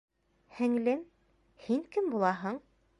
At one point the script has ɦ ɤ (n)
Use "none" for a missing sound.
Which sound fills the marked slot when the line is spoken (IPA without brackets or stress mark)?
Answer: ɴ